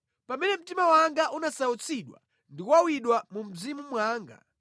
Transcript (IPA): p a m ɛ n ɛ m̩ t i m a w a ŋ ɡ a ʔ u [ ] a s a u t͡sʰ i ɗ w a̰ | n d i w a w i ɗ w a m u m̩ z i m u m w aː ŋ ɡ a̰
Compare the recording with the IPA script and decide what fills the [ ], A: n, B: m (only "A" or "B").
A